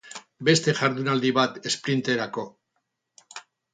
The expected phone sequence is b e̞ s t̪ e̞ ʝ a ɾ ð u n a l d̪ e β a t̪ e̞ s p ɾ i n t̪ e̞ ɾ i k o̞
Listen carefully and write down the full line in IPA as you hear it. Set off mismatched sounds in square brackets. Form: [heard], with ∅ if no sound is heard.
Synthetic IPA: b e̞ s t̪ e̞ ʝ a ɾ ð u n a l d̪ [i] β a t̪ e̞ s p ɾ i n t̪ e̞ ɾ [a] k o̞